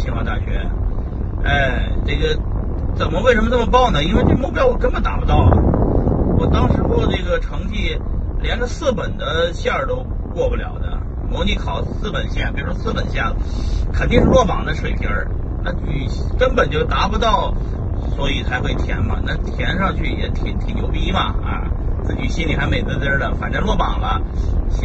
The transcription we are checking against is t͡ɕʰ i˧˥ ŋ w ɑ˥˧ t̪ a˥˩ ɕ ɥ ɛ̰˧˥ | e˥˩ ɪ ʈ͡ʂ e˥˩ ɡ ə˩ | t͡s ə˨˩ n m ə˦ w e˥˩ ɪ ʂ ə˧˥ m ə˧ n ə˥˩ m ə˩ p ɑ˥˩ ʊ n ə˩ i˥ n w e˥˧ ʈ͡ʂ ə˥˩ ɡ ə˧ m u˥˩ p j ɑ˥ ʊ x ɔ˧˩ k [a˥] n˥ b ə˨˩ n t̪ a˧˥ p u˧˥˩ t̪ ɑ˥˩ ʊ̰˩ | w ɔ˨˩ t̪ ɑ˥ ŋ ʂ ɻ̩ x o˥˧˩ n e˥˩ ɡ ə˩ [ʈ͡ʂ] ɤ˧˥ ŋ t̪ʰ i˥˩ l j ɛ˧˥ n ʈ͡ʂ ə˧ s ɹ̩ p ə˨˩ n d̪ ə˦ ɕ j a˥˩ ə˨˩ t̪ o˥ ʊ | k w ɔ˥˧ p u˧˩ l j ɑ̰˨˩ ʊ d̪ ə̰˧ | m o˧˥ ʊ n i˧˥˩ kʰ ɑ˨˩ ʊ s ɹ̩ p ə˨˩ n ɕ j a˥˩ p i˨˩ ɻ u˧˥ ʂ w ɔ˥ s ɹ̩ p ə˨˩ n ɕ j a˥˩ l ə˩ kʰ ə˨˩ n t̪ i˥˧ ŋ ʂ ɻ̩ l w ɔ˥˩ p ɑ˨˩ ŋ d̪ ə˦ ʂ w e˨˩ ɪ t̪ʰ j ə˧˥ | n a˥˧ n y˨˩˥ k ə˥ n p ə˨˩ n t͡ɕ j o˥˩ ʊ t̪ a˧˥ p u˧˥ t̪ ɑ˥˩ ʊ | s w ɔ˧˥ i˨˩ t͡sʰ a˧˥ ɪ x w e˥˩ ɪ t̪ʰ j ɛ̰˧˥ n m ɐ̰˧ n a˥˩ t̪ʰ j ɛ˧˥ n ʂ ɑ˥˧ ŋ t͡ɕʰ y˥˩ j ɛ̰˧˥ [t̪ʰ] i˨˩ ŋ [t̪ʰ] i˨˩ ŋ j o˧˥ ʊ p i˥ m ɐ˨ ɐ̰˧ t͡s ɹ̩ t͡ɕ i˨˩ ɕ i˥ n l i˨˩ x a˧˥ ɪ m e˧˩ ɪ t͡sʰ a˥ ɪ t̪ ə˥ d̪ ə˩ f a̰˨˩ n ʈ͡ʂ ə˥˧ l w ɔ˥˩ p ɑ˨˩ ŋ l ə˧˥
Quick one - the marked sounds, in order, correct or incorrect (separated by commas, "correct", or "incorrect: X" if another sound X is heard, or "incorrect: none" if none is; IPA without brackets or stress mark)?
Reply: incorrect: ə˥, incorrect: ʈ͡ʂʰ, correct, correct